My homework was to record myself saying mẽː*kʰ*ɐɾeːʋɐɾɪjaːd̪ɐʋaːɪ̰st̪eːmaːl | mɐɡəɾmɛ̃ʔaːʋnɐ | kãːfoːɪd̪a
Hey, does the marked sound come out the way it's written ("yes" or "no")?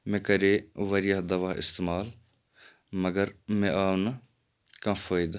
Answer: no